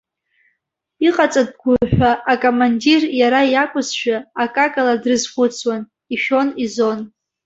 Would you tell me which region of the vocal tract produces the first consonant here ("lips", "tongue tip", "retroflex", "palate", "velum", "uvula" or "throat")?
uvula